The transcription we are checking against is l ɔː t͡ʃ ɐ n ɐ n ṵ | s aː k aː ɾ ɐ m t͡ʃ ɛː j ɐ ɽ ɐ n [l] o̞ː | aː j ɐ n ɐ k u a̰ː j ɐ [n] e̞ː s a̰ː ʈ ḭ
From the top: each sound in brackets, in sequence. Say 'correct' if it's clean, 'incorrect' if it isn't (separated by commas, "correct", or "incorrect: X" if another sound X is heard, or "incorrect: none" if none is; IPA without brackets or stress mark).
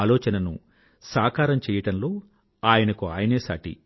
correct, correct